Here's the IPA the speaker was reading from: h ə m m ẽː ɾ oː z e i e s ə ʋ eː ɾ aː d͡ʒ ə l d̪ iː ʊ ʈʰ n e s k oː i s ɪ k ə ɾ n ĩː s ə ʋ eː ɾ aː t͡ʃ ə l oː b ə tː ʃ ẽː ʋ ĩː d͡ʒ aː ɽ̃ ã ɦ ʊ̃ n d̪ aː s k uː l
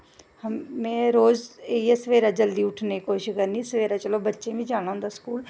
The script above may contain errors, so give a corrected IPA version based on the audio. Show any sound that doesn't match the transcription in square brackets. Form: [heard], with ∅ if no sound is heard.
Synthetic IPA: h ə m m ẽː ɾ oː z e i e s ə ʋ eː ɾ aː d͡ʒ ə l d̪ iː ʊ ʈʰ n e [∅] k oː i [ʃ] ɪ k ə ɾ n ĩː s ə ʋ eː ɾ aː t͡ʃ ə l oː b ə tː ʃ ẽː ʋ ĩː d͡ʒ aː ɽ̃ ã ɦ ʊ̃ n d̪ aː s k uː l

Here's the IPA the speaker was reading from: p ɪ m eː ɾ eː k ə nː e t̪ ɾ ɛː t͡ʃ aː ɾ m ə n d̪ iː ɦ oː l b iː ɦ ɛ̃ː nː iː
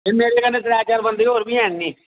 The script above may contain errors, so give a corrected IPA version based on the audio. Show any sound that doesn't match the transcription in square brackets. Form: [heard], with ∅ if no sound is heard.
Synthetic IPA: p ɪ m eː ɾ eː k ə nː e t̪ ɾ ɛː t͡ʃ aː ɾ [b] ə n d̪ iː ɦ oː [ɾ] b iː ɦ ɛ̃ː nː iː

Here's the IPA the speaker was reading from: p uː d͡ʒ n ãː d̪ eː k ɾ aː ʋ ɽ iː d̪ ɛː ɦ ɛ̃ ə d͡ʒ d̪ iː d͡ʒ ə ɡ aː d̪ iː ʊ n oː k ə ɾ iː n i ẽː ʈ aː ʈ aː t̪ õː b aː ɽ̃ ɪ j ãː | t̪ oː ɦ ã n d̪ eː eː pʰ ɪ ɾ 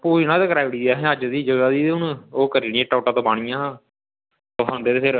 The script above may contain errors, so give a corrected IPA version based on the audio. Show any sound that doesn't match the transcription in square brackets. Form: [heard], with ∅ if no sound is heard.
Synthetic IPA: p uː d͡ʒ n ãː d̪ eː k ɾ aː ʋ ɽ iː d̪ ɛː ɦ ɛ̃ ə d͡ʒ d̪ iː d͡ʒ ə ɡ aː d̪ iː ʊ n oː k ə ɾ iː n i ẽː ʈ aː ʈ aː t̪ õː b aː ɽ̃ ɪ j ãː | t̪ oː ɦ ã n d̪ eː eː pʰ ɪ ɾ

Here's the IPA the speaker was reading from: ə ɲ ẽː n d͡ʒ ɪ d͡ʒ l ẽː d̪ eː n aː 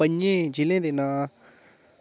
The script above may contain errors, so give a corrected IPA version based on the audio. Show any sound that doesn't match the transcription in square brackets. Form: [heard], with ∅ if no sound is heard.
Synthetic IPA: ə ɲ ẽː [∅] d͡ʒ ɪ [∅] l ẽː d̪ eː n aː

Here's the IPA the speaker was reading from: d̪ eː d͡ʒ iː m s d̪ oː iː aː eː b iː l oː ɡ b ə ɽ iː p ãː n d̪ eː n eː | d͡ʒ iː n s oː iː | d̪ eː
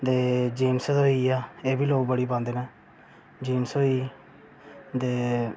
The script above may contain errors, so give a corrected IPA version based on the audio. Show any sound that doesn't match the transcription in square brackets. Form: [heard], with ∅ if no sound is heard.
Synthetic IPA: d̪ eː d͡ʒ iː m s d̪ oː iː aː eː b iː l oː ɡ b ə ɽ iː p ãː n d̪ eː n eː | d͡ʒ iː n s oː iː | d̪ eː

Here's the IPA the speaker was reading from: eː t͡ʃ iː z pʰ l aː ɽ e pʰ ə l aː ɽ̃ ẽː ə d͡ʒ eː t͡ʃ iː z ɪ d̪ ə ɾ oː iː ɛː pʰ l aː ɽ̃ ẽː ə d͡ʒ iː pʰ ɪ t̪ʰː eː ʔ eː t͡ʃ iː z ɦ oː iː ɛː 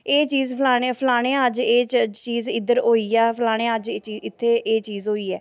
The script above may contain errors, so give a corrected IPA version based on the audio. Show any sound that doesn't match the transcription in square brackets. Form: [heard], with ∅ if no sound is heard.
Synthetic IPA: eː t͡ʃ iː z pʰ l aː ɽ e pʰ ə l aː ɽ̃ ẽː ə d͡ʒ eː t͡ʃ iː z ɪ d̪ ə ɾ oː iː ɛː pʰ l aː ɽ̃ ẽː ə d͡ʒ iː [∅] ɪ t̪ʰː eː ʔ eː t͡ʃ iː z ɦ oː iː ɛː

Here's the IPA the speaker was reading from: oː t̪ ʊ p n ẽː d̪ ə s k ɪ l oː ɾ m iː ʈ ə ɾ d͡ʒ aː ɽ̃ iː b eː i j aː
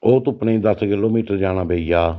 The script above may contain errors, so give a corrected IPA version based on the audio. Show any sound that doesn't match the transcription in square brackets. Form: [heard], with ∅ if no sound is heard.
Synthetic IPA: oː t̪ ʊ p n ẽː d̪ ə s k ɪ l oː [∅] m iː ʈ ə ɾ d͡ʒ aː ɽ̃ [aː] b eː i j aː

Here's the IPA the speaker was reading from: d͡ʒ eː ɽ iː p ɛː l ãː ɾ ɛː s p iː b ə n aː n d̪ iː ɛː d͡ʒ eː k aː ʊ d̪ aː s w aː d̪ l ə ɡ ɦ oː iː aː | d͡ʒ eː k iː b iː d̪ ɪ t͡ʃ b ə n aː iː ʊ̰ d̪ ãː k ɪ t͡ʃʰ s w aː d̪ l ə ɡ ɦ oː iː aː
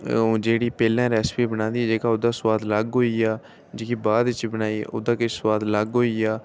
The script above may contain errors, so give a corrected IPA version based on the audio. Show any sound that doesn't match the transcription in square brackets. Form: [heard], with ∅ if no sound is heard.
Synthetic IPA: d͡ʒ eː ɽ iː p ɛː l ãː ɾ ɛː s p iː b ə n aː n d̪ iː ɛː d͡ʒ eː k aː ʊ d̪ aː s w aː d̪ l ə ɡ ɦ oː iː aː | d͡ʒ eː k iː b [aː] d̪ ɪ t͡ʃ b ə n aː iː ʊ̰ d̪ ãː k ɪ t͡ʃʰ s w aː d̪ l ə ɡ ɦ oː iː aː

